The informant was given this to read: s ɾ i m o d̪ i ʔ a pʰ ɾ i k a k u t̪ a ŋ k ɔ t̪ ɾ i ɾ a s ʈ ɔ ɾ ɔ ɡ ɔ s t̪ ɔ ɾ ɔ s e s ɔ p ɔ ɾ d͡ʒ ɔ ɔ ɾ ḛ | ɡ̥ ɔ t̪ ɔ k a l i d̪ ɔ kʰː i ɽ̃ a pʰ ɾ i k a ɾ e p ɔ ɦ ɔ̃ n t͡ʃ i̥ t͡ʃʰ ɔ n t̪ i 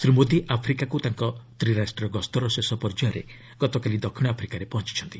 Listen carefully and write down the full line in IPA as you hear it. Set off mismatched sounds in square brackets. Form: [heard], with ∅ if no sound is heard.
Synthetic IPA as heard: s ɾ i m o d̪ i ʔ a pʰ ɾ i k a k u t̪ a ŋ k ɔ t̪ ɾ i ɾ a s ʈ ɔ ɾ ɔ ɡ ɔ s t̪ ɔ ɾ ɔ s e s ɔ p ɔ ɾ d͡ʒ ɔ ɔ ɾ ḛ | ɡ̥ ɔ t̪ ɔ k a l i d̪ ɔ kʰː i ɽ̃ a pʰ ɾ i k a ɾ e p ɔ ɦ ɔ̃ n t͡ʃ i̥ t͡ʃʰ ɔ n t̪ i